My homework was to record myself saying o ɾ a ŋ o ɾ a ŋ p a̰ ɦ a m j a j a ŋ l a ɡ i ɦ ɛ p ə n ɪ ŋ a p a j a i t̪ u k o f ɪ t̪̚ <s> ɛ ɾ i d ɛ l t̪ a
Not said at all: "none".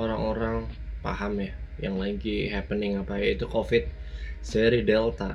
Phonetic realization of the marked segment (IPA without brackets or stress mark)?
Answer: s